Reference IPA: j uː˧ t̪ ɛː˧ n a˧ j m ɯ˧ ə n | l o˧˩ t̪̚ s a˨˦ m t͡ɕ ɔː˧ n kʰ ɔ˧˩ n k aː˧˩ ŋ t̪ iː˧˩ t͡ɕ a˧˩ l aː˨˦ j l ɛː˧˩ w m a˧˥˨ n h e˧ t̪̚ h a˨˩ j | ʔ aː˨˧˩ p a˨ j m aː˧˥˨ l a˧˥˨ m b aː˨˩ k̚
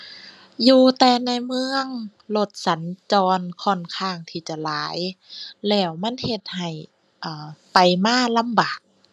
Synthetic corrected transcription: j uː˧ t̪ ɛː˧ n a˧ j m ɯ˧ ə ŋ | l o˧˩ t̪̚ s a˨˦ n t͡ɕ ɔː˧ n kʰ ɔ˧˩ n kʰ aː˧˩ ŋ t̪ʰ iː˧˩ t͡ɕ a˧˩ l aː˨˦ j l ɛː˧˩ w m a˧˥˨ n h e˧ t̪̚ h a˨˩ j | ʔ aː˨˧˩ p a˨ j m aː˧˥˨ l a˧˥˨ m b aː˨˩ k̚

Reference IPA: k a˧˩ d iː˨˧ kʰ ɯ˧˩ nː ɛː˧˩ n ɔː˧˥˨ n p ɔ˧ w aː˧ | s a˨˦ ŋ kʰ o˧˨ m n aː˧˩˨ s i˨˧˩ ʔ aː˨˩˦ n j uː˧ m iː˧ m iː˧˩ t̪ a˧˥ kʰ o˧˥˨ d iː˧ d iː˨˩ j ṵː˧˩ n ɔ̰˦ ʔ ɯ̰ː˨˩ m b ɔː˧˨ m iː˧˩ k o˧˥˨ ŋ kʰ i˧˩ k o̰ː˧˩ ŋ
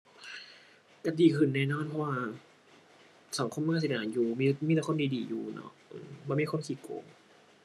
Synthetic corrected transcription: k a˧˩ d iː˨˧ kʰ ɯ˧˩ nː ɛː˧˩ n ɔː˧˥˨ n pʰ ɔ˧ w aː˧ | s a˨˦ ŋ kʰ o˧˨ m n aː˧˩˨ s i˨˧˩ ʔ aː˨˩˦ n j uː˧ m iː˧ m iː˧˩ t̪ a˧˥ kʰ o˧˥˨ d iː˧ d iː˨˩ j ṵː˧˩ n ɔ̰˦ ʔ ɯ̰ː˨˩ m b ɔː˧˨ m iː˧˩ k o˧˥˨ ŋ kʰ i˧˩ k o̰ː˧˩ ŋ

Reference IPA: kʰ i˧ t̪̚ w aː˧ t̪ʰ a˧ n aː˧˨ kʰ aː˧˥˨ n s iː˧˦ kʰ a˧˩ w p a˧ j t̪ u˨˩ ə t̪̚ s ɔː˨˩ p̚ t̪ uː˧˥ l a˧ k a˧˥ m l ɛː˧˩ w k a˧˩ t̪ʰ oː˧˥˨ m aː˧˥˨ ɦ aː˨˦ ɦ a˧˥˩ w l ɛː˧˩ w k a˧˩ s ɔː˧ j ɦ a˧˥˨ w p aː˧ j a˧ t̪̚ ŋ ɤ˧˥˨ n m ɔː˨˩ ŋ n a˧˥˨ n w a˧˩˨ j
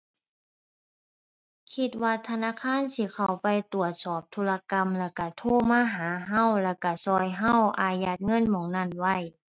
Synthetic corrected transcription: kʰ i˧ t̪̚ w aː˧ t̪ʰ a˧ n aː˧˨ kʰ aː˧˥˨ n s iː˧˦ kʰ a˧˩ w p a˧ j t̪ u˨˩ ə t̪̚ s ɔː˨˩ p̚ t̪ʰ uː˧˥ l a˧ k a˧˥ m l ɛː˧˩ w k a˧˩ t̪ʰ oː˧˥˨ m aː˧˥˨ ɦ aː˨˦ ɦ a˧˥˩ w l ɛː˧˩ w k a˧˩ s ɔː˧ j ɦ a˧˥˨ w ʔ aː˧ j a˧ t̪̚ ŋ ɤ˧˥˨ n m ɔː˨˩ ŋ n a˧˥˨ n w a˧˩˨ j

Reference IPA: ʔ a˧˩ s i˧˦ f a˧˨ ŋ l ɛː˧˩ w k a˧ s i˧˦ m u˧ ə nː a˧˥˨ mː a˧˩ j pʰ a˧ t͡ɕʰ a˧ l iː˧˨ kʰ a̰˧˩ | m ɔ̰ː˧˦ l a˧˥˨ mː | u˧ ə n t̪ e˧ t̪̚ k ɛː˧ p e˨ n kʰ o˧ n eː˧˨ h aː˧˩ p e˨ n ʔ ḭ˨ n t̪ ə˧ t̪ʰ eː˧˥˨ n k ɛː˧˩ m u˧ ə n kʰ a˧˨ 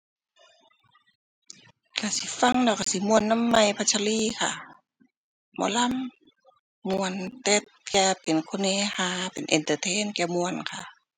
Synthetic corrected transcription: k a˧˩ s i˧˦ f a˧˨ ŋ l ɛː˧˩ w k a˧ s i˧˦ m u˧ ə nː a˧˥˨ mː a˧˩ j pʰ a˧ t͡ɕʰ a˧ l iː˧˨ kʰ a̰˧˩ | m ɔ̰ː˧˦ l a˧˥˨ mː | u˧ ə n t̪ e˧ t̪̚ k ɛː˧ p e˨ n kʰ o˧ n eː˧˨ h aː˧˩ p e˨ n ʔ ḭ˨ n t̪ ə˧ t̪ʰ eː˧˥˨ n k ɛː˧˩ m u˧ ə n kʰ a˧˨

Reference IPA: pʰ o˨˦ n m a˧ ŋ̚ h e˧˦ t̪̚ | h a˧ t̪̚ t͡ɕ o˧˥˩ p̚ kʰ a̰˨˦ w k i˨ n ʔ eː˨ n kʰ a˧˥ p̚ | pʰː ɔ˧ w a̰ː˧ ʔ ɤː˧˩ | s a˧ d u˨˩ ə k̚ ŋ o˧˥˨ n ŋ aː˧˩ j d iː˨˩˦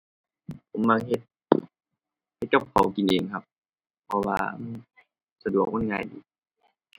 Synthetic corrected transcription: pʰ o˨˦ m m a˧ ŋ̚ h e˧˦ t̪̚ | h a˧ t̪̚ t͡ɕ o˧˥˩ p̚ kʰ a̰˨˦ w k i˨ n ʔ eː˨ ŋ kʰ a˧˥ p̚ | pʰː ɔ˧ w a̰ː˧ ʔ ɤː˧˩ | s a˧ d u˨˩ ə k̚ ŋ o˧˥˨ n ŋ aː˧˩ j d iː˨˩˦

